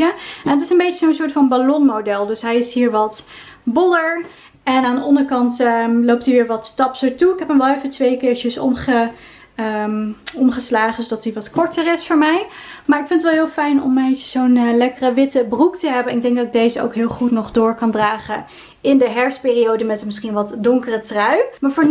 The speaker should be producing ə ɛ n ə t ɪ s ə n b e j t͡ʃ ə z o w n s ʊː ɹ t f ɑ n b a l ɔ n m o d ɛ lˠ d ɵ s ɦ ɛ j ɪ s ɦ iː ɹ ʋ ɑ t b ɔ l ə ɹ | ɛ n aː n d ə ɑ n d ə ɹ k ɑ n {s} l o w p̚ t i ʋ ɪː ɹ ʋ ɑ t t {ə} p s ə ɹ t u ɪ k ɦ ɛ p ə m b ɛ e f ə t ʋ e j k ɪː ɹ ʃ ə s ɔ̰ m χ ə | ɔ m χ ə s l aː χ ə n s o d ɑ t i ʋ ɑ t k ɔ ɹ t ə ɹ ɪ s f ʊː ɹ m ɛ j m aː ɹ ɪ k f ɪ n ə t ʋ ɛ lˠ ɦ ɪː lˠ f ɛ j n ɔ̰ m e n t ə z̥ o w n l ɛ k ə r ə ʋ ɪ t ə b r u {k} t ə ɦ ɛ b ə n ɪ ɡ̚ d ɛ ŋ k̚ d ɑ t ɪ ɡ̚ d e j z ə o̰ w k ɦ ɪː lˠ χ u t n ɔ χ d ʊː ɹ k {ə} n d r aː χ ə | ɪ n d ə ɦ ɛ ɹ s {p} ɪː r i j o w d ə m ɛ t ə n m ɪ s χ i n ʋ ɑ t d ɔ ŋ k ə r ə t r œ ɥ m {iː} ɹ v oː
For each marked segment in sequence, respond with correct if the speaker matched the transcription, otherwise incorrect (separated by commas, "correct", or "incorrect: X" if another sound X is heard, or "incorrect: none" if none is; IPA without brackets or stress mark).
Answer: incorrect: t, incorrect: ɑ, correct, incorrect: ɑ, correct, incorrect: aː